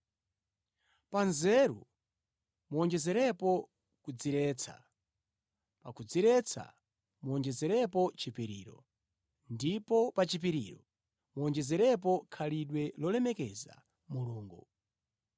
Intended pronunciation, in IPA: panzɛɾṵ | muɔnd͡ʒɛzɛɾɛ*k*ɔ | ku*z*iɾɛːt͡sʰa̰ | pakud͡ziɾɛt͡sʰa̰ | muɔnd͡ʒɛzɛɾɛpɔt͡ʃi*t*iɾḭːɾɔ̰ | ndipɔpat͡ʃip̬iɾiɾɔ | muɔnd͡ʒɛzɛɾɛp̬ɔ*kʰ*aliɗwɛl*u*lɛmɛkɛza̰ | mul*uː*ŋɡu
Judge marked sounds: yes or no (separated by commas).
no, no, no, yes, no, yes